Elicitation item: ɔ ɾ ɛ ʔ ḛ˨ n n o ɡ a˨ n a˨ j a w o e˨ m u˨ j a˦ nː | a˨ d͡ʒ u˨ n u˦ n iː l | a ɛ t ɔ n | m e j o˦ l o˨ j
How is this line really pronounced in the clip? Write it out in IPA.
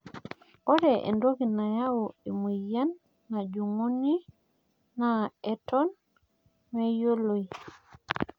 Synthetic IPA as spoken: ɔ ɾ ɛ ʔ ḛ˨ n d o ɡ i˨ n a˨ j a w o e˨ m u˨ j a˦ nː | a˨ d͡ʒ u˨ ŋ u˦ n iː | a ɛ t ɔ n | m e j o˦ l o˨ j